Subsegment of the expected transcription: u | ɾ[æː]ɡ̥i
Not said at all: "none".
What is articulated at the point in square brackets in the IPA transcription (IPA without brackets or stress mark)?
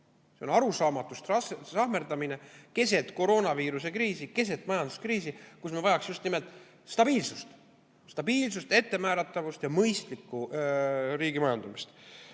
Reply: iː